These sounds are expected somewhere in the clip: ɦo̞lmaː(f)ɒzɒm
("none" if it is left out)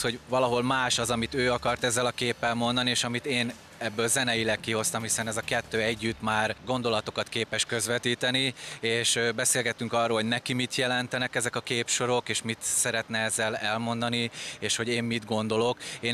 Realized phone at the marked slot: ʃ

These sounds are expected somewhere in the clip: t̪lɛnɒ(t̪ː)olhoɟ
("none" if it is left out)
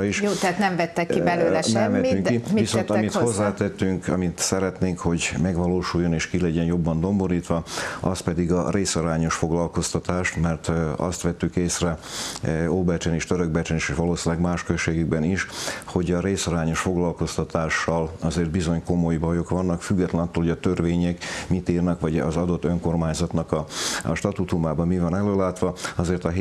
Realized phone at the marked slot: t̪ː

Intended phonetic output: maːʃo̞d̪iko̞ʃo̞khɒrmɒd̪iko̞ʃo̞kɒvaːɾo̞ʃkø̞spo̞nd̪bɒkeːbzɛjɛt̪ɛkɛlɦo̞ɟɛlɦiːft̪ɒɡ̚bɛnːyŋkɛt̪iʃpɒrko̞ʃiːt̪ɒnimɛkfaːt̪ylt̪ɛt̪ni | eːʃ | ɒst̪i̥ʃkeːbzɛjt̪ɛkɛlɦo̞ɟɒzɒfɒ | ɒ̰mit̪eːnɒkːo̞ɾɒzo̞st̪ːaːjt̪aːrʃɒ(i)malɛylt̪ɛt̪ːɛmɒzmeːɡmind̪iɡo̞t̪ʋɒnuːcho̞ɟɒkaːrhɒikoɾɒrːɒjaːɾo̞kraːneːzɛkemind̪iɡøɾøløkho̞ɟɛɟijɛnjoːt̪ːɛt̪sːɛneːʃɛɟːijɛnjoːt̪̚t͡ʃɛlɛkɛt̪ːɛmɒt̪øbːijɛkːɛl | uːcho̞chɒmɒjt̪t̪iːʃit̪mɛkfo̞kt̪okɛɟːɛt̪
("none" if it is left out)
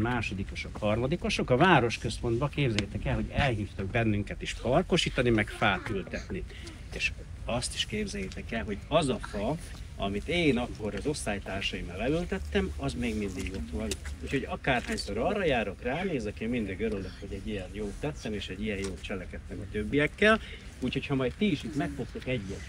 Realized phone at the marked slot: i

